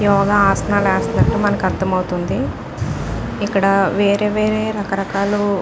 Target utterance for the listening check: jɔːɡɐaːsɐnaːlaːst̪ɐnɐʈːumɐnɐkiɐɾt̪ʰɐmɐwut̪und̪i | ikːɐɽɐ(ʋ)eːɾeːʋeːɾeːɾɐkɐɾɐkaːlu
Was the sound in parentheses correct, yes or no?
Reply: yes